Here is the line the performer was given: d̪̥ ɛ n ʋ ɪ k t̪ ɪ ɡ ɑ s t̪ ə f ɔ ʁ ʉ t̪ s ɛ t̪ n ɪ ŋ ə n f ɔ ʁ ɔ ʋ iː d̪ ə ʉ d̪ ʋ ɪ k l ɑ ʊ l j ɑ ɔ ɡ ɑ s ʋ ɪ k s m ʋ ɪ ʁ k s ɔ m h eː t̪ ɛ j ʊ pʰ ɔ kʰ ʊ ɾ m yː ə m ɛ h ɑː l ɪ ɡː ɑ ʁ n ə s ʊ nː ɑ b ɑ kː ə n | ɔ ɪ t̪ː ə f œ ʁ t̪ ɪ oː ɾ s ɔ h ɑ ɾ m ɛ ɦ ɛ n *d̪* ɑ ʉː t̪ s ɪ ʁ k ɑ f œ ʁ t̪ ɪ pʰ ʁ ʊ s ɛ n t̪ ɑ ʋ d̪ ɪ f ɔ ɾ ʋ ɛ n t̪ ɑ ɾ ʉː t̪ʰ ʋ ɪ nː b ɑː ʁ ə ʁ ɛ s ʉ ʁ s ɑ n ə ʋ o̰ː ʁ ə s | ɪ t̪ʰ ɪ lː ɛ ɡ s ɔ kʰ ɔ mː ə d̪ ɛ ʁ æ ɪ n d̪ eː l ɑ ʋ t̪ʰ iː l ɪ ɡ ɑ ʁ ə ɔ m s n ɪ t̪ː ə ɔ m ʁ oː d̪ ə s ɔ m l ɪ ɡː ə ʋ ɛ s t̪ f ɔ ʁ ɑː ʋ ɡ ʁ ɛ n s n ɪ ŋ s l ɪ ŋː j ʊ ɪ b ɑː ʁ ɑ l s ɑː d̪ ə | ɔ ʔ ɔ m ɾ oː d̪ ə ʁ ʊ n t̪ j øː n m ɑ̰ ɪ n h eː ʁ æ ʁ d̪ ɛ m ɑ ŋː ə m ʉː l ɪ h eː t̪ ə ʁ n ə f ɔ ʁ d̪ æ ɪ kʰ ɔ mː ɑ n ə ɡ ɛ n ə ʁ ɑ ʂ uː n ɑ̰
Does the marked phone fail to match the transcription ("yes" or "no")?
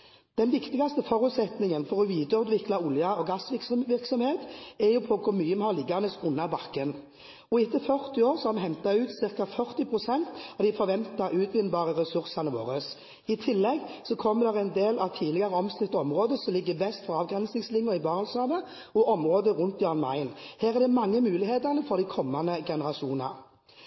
yes